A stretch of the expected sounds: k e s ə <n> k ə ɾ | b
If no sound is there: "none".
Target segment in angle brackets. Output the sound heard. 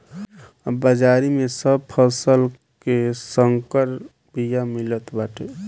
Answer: ŋ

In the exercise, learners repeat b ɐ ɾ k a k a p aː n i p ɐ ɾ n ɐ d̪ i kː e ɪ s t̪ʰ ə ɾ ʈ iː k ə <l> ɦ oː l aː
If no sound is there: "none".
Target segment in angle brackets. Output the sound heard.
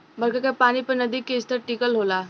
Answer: l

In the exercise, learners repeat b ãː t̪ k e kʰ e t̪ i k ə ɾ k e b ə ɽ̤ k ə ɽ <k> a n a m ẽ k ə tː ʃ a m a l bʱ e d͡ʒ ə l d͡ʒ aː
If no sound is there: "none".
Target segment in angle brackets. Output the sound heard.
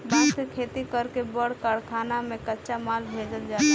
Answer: kʰ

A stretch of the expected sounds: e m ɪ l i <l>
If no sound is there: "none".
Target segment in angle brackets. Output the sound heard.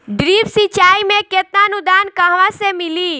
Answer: none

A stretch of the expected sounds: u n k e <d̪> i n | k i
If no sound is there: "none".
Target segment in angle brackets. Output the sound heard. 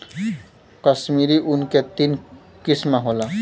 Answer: t̪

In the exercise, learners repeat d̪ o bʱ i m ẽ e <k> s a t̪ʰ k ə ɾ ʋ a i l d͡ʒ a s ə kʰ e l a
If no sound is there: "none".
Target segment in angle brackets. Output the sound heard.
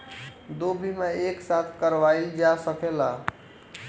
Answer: k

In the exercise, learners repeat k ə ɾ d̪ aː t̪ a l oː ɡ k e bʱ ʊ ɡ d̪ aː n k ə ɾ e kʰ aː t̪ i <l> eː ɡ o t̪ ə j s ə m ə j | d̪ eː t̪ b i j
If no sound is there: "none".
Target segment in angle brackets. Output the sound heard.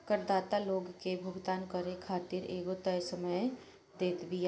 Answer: ɾ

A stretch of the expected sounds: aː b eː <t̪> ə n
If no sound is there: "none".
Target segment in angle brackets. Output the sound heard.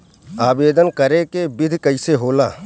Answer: d̪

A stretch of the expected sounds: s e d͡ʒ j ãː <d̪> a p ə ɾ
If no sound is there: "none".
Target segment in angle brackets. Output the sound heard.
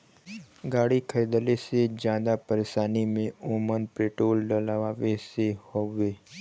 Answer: d̪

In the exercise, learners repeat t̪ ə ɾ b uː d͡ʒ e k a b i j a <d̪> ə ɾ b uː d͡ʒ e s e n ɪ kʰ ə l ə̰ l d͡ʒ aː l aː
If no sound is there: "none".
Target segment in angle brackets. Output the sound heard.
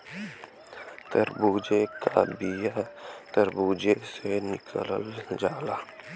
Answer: t̪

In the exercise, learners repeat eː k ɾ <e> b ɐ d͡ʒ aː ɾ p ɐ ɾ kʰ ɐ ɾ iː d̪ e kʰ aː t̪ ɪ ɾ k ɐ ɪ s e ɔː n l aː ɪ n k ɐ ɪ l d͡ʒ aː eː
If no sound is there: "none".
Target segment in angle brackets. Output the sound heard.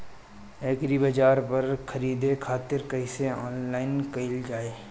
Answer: i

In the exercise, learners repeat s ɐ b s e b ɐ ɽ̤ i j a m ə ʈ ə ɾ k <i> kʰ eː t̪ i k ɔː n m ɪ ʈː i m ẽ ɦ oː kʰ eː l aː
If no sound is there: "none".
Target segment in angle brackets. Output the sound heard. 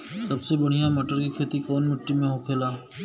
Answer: i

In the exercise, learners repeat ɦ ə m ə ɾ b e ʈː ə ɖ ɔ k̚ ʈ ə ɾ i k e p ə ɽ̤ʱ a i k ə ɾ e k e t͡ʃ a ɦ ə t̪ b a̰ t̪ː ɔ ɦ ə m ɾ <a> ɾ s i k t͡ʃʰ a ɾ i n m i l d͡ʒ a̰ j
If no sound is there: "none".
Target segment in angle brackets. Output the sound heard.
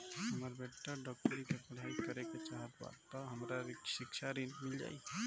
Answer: a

